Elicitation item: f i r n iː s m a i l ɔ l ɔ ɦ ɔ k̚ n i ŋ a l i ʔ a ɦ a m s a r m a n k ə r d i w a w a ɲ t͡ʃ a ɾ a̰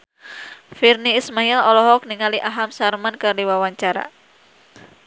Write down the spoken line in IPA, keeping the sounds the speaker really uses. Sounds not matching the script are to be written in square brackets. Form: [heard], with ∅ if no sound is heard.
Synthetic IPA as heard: f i r n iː s m a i l ɔ l ɔ ɦ ɔ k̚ n i ŋ a l i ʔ a ɦ a m s a r m a n k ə r d i w a w a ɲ t͡ʃ a ɾ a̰